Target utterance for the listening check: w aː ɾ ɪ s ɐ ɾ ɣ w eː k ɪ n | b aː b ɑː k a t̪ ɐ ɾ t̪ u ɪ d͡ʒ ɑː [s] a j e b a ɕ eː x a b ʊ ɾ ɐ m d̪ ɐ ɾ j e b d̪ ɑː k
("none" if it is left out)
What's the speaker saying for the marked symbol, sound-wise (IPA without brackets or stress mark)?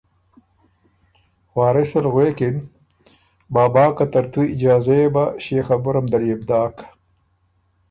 z